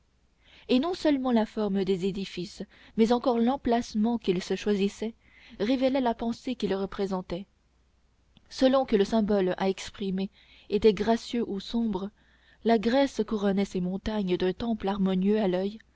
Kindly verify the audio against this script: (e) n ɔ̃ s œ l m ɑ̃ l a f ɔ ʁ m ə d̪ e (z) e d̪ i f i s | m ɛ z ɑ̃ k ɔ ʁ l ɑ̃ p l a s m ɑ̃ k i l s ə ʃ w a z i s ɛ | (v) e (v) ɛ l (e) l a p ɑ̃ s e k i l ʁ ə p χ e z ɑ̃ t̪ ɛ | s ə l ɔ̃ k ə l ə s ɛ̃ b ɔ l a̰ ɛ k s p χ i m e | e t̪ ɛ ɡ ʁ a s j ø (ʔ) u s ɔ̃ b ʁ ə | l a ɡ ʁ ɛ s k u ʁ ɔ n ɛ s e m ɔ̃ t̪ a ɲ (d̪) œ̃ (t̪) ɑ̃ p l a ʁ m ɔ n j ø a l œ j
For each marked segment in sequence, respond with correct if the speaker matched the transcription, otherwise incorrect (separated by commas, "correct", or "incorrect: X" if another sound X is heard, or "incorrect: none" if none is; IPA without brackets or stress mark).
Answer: correct, correct, incorrect: ʁ, correct, incorrect: ɛ, correct, correct, correct